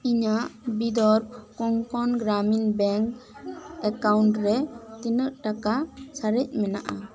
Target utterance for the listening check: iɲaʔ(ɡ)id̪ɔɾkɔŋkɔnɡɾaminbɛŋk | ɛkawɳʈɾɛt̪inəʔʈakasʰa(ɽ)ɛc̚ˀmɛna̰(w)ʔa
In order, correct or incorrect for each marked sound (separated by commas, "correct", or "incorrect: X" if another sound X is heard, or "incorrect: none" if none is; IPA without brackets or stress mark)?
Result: incorrect: b, incorrect: ɾ, incorrect: none